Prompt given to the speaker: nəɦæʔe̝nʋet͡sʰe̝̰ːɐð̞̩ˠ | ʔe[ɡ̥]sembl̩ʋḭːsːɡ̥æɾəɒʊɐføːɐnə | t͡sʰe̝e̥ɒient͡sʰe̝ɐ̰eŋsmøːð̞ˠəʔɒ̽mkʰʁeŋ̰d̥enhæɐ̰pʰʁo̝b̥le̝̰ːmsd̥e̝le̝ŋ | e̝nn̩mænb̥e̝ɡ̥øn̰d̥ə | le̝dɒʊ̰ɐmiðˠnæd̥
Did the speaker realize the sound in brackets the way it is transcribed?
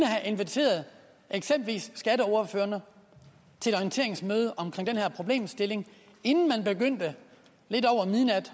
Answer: yes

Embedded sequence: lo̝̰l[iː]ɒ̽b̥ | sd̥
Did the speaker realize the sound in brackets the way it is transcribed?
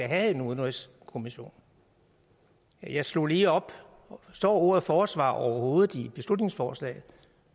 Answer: yes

